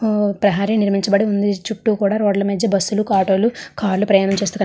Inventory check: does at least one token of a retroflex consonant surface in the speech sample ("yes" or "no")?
yes